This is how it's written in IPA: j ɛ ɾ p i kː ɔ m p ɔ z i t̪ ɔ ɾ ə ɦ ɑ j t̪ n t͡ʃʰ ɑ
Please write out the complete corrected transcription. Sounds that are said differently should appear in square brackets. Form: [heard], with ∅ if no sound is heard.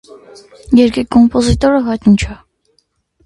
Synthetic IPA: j ɛ ɾ [k] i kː ɔ m p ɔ z i t̪ ɔ ɾ ə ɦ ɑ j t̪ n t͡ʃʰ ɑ